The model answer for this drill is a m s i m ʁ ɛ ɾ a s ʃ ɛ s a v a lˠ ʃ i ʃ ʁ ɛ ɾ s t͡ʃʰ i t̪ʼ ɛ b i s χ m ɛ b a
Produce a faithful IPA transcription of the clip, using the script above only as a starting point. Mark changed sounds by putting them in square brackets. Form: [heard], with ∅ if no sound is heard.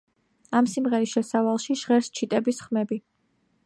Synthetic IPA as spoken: a m s i m ʁ ɛ ɾ [i] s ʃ ɛ s a v a lˠ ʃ i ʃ ʁ ɛ ɾ s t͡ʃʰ i t̪ʼ ɛ b i s χ m ɛ b [i]